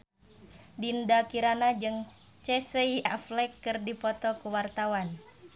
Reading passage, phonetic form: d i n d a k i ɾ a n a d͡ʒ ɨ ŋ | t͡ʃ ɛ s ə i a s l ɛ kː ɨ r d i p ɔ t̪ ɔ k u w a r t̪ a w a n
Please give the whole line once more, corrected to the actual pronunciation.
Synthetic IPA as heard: d i n d a k i ɾ a n a d͡ʒ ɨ ŋ | t͡ʃ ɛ s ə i a f l ɛ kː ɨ r d i p ɔ t̪ ɔ k u w a r t̪ a w a n